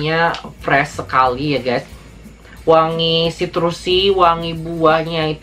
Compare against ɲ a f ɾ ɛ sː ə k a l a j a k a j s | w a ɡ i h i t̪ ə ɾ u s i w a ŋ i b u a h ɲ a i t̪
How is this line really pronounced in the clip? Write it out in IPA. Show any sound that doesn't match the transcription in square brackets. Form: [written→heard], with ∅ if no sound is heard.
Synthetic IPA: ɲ a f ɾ ɛ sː ə k a l [a→i] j a [k→ɡ] a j s | w a [ɡ→ŋ] i [h→s] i t̪ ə ɾ u s i w a ŋ i b u a h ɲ a i t̪